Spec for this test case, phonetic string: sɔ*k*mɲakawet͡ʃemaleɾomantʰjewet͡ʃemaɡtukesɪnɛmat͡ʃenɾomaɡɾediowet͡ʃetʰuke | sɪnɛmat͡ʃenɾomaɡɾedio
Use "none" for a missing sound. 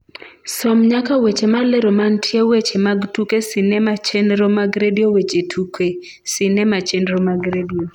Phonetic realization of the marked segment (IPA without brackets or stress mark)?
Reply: none